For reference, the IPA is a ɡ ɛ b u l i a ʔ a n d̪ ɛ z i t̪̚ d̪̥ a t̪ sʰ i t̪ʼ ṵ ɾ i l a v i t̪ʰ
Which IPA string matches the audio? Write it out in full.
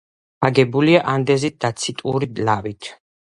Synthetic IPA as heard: a ɡ ɛ b u l i a ʔ a n d̪ ɛ z i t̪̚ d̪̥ a t̪ sʰ i t̪ʼ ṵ ɾ i l a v i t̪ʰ